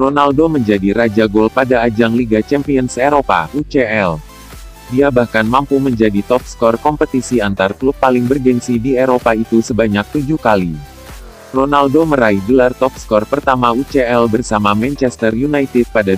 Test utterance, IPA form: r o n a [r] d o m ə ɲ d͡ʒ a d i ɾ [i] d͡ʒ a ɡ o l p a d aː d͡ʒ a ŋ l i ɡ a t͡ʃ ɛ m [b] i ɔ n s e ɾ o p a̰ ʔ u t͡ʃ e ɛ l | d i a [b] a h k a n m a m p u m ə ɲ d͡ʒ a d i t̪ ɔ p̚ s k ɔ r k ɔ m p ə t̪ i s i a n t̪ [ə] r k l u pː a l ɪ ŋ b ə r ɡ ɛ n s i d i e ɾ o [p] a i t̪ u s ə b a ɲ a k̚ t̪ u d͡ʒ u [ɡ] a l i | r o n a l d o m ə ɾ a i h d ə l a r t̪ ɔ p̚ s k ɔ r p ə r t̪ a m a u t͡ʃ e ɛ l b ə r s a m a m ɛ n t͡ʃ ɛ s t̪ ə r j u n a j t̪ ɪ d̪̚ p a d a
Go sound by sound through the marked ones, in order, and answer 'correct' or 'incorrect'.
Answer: incorrect: l, incorrect: a, incorrect: p, correct, incorrect: a, correct, incorrect: k

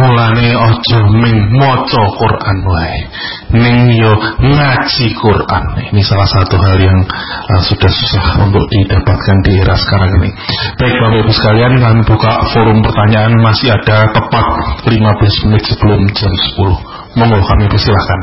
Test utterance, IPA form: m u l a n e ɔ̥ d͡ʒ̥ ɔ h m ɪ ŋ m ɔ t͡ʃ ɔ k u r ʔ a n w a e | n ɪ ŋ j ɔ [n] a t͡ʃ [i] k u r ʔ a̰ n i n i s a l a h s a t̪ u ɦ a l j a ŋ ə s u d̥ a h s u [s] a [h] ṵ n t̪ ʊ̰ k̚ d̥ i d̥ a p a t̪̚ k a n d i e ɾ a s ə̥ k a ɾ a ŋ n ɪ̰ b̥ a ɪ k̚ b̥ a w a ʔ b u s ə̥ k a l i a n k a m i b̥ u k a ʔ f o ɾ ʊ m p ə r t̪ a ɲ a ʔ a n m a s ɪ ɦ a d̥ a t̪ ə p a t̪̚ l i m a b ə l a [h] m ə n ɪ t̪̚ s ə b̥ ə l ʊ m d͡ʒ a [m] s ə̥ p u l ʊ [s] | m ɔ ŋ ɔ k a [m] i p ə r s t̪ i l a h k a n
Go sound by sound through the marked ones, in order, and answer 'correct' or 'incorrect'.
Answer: incorrect: ŋ, correct, correct, correct, incorrect: s, correct, incorrect: h, correct

